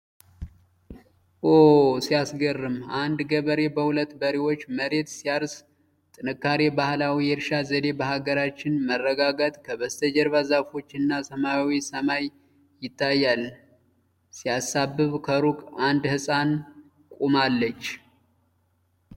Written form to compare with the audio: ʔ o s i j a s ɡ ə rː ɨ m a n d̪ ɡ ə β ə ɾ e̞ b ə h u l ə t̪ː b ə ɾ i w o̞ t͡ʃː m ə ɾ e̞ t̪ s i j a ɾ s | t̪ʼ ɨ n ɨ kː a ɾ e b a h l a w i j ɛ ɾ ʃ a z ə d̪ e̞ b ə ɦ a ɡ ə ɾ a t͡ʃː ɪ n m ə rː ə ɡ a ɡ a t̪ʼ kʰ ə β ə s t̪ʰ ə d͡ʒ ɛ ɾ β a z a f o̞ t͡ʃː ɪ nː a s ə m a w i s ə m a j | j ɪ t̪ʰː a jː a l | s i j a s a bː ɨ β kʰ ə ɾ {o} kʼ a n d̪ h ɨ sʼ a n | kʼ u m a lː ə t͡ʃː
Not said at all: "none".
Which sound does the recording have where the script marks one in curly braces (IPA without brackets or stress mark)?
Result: u